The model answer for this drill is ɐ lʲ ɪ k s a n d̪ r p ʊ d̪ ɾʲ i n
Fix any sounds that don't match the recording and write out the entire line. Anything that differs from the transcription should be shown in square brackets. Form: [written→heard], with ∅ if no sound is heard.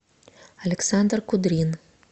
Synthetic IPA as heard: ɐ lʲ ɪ k s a n d̪ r [p→k] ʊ d̪ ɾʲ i n